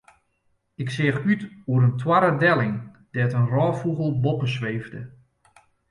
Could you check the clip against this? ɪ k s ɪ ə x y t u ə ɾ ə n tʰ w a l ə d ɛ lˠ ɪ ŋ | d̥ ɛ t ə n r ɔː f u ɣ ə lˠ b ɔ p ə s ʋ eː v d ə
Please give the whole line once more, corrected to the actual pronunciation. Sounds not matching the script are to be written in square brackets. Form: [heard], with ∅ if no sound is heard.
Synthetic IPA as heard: ɪ k s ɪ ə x y t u ə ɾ ə n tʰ w a [ɾ] ə d ɛ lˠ ɪ ŋ | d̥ ɛ t ə n r ɔː f u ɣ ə lˠ b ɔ p ə s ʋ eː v d ə